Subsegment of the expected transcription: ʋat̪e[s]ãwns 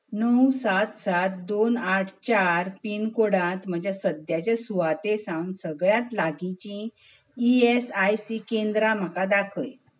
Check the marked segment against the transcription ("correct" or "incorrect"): correct